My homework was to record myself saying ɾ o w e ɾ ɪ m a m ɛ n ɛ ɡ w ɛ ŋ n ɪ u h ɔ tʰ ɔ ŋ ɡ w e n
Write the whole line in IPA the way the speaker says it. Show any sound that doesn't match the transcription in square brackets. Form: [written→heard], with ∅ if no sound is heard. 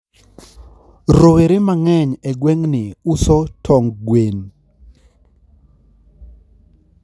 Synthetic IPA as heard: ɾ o w e ɾ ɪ m a [m→ŋ] ɛ [n→ɲ] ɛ ɡ w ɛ ŋ n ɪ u [h→s] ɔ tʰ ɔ ŋ ɡ w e n